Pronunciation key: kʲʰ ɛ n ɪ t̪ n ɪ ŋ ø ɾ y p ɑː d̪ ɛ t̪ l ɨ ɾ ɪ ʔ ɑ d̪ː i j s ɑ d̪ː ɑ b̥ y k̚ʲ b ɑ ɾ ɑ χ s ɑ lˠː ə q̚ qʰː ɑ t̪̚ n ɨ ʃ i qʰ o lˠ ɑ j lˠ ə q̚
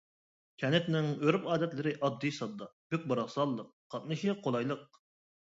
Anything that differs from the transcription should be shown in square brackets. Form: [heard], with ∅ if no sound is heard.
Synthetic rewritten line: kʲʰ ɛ n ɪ t̪ n ɪ ŋ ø ɾ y p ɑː d̪ ɛ t̪ l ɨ ɾ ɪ ʔ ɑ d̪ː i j s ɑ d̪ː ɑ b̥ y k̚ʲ b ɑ ɾ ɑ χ s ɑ lˠː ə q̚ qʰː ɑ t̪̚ n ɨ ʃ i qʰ o lˠ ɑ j lˠ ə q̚